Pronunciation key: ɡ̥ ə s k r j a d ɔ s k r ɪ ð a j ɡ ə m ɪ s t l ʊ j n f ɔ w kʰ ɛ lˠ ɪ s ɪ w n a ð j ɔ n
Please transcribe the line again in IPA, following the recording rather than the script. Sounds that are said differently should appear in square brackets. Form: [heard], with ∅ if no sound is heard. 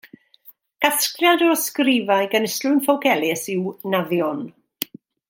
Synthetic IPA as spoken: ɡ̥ [a] s k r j a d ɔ s k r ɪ [v] a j ɡ ə [n] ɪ s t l ʊ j n f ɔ w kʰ ɛ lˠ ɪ s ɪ w n a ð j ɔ n